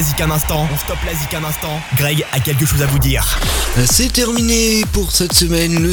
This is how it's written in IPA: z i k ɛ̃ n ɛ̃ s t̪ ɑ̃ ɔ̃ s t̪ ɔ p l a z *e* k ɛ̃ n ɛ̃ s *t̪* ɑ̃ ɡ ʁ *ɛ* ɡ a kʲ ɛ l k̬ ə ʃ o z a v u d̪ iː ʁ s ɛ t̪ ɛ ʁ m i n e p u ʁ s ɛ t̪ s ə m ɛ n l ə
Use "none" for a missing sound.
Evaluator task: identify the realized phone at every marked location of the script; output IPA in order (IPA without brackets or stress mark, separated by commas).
i, t̪, ɛ